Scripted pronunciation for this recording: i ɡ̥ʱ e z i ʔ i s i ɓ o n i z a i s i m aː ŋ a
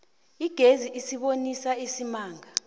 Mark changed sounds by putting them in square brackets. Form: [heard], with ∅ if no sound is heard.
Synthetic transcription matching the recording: i ɡ̥ʱ e z i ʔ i s i ɓ o n i [s] a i s i m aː ŋ a